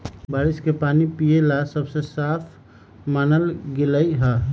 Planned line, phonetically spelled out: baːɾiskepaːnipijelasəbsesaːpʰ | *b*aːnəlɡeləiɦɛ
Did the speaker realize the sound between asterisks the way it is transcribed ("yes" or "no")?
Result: no